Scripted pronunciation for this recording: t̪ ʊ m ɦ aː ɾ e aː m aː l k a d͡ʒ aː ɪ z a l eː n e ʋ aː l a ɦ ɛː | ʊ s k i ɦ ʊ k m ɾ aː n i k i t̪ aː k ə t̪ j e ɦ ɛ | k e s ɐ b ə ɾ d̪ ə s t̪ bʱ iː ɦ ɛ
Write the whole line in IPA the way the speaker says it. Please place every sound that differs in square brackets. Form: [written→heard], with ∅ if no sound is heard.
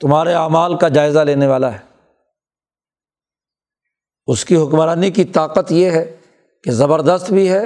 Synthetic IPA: t̪ ʊ m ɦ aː ɾ e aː m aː l k a d͡ʒ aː ɪ z a l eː n e ʋ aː l a ɦ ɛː | ʊ s k i ɦ ʊ k m ɾ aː n i k i t̪ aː [k→q] ə t̪ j e ɦ ɛ | k e [s→z] ɐ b ə ɾ d̪ ə s t̪ bʱ [iː→i] ɦ ɛ